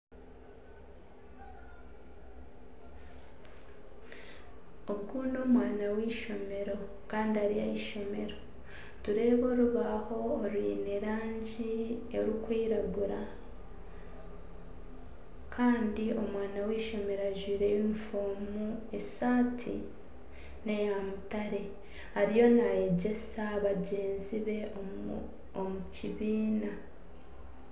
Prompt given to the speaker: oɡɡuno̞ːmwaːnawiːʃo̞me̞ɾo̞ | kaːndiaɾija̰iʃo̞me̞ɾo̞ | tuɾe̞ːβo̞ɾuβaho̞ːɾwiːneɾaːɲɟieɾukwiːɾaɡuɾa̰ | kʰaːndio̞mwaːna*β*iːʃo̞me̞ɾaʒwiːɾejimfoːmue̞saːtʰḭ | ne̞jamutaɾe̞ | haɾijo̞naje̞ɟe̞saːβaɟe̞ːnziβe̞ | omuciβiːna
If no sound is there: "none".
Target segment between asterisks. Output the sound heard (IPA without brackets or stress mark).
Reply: w